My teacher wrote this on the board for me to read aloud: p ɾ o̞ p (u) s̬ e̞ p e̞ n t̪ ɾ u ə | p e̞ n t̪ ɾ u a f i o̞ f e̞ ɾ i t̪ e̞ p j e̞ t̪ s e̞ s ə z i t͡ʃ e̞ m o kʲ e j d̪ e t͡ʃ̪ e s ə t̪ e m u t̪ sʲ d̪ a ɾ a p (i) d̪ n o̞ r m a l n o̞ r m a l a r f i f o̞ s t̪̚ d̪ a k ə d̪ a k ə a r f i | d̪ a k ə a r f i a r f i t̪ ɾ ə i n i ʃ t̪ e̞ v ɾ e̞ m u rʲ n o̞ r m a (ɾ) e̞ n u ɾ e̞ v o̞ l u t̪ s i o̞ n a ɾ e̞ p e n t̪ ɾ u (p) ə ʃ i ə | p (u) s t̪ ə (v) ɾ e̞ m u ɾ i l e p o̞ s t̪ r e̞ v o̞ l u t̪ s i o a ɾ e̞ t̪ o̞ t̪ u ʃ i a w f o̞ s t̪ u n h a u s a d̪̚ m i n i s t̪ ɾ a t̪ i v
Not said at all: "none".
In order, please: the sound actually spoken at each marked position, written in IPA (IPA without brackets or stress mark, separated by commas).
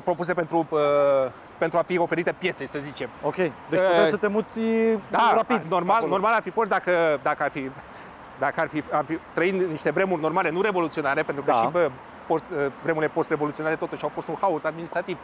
u, i, l, k, o, v